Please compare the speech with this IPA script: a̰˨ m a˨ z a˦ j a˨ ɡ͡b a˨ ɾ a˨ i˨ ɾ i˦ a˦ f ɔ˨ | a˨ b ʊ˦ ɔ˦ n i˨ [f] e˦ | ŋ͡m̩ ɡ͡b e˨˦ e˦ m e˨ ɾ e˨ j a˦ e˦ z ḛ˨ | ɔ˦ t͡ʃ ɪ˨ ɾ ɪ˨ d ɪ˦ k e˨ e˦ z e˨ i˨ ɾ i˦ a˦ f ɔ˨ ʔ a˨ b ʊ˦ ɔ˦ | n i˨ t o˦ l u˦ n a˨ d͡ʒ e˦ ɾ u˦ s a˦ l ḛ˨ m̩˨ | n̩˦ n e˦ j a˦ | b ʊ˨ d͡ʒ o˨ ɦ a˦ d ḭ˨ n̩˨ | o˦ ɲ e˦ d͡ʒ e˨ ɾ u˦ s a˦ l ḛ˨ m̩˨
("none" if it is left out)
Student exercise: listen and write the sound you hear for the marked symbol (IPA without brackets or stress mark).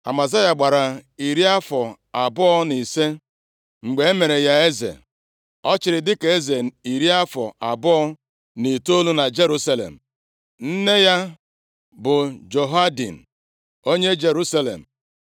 s